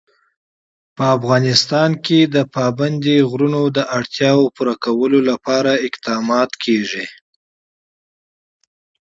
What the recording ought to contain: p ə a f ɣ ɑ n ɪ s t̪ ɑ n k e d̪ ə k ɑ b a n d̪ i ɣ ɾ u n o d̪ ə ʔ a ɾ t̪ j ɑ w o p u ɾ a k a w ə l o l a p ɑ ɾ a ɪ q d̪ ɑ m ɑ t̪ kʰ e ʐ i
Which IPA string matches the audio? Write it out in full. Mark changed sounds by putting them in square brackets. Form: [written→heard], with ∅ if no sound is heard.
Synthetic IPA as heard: p ə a f ɣ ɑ n ɪ s t̪ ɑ n k e d̪ ə [k→p] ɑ b a n d̪ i ɣ ɾ u n o d̪ ə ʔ a [ɾ→ɽ] t̪ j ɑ w o p u ɾ a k a w ə l o l a p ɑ ɾ a ɪ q d̪ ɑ m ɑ t̪ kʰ e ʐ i